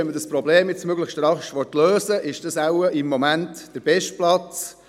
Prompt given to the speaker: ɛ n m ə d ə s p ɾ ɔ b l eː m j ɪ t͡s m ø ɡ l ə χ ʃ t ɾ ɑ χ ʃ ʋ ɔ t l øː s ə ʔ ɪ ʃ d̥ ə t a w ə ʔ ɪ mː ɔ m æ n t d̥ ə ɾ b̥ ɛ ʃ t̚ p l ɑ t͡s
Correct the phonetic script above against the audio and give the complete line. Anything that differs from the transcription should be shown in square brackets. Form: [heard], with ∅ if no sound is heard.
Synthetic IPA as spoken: ɛ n m ə d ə s p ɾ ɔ b l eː m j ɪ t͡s m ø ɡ l ə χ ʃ t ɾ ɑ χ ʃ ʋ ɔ t l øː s ə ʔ ɪ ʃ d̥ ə [s] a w ə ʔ ɪ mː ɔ m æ n t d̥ ə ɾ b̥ ɛ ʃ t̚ p l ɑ t͡s